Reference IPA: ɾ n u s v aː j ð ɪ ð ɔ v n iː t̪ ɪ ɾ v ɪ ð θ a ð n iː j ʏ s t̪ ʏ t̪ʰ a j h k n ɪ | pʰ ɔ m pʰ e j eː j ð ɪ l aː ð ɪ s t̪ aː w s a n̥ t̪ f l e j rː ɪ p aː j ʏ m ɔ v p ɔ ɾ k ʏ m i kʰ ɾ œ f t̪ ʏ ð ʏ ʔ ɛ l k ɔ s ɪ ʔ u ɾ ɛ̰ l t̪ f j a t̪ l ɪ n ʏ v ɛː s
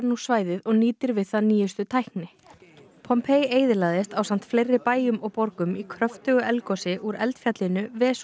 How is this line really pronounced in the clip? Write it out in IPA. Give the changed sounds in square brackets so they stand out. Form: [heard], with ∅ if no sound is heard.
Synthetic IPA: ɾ n u s v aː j ð ɪ ð ɔ [ɣ] n iː t̪ ɪ ɾ v ɪ ð θ a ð n iː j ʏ s t̪ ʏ t̪ʰ a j h k n ɪ | pʰ ɔ m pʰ e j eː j ð ɪ l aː ð ɪ s t̪ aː w s a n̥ t̪ f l e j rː ɪ p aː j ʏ m ɔ [ɣ] p ɔ ɾ k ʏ m i kʰ ɾ œ f t̪ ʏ [ɣ] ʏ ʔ ɛ l k ɔ s ɪ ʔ u ɾ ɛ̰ l t̪ f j a t̪ l ɪ n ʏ v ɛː s